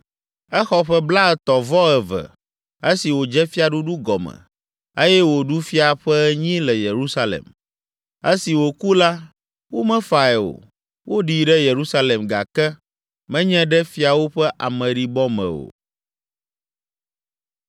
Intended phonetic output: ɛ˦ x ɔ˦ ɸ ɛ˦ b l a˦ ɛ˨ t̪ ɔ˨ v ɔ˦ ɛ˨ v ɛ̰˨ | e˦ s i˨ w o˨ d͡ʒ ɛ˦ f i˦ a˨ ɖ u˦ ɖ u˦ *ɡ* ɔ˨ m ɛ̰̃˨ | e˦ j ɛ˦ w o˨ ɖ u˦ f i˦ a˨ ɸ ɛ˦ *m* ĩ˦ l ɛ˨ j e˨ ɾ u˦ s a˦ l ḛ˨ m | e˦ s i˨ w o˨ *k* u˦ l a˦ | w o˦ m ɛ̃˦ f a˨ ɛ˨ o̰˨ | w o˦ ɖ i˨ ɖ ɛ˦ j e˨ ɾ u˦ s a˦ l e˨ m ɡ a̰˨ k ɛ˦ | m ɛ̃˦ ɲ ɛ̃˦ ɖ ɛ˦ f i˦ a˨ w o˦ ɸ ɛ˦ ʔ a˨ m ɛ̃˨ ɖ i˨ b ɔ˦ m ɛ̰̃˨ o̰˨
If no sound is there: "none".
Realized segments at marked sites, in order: ɡ, ɲ, k

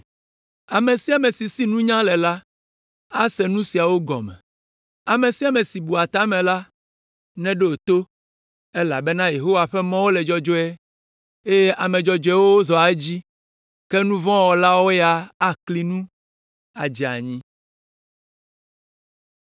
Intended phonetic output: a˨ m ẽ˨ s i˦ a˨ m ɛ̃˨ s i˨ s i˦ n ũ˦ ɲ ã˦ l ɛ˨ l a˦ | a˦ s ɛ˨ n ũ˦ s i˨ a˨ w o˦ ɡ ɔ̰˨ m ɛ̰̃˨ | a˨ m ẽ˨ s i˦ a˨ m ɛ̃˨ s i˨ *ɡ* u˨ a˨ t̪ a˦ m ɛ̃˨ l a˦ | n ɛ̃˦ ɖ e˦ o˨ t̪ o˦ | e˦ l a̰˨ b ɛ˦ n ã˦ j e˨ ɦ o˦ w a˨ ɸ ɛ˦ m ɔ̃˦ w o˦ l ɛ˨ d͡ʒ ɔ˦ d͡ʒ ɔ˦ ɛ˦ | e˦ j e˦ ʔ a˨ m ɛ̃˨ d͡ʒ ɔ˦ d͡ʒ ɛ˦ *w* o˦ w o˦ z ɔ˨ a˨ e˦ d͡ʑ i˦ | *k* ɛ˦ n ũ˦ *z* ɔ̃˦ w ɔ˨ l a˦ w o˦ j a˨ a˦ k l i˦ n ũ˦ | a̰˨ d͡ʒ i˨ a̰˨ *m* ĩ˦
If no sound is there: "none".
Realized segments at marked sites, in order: b, w, k, v, ɲ

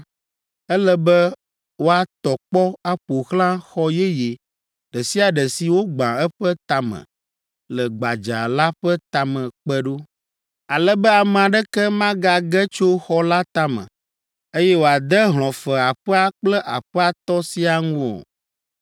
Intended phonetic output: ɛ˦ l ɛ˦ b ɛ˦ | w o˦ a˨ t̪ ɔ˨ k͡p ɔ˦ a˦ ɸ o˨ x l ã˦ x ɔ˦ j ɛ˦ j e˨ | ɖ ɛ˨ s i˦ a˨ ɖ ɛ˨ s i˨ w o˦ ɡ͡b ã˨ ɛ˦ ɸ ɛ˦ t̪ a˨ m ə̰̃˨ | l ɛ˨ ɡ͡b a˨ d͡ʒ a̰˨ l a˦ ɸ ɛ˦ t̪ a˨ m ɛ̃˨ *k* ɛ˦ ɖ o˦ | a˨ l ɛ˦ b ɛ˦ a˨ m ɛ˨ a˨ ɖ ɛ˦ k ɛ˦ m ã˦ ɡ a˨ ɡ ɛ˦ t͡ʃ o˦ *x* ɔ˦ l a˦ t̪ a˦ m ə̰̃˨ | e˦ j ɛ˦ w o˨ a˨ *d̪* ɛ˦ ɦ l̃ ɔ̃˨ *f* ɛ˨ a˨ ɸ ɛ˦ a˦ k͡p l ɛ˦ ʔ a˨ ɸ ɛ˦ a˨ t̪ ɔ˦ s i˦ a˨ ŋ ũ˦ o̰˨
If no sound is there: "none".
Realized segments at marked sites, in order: k͡p, x, d̪, f

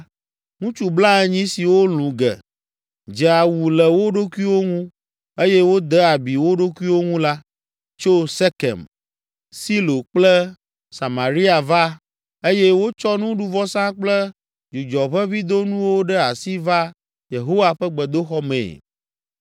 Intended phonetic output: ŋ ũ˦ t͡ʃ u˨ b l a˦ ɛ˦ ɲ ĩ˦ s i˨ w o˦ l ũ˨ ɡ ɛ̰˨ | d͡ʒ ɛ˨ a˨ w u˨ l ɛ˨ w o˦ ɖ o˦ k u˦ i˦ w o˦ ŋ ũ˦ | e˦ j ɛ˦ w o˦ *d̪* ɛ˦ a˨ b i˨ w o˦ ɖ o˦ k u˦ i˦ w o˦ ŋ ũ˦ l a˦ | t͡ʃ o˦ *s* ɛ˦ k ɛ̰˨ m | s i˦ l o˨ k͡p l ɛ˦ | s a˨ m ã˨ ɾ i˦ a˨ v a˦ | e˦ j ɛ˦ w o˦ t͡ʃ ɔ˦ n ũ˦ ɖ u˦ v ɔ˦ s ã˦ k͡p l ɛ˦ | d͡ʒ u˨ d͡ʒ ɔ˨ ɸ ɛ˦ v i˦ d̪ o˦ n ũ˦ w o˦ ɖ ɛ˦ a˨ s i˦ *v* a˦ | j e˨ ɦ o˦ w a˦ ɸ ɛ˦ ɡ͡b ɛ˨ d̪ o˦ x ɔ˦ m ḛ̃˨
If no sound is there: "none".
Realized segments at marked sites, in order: d̪, s, v

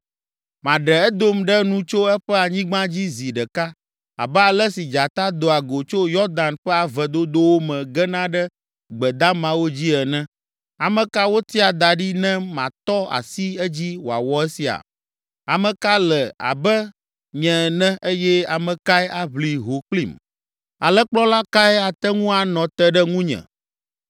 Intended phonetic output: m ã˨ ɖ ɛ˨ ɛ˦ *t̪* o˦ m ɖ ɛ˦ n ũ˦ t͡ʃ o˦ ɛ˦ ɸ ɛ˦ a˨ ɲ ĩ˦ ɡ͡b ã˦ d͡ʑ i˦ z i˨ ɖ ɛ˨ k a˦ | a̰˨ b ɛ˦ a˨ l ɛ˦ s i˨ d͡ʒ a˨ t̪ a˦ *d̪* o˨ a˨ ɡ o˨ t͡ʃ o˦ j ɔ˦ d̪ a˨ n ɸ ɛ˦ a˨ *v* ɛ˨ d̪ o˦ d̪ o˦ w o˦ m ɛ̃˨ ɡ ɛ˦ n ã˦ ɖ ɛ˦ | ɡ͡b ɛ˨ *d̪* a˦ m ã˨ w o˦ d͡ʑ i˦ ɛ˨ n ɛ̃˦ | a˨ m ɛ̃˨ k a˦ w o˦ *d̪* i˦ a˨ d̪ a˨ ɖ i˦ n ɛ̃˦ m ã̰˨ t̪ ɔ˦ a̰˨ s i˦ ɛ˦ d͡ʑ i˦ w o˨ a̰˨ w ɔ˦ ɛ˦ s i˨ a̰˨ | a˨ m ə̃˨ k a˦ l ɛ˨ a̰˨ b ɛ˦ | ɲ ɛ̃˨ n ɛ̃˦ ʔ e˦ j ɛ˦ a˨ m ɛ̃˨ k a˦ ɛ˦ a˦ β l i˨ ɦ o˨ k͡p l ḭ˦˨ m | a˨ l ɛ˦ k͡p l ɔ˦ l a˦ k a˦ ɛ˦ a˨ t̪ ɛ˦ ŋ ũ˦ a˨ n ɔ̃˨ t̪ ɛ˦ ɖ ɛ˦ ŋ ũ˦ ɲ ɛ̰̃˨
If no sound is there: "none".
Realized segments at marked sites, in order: d̪, d̪, v, d̪, t̪

